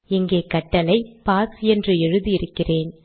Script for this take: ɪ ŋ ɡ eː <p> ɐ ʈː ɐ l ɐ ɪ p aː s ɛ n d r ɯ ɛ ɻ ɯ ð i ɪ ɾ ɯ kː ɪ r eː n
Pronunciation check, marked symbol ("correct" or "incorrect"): incorrect